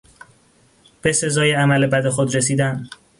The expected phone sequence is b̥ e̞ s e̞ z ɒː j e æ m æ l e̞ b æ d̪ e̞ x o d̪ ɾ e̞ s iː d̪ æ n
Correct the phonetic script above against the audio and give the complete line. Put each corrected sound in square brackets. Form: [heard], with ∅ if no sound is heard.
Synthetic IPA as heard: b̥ e̞ s e̞ z ɒː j e æ m æ l e̞ b æ d̪ e̞ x o d̪ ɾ e̞ s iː d̪ æ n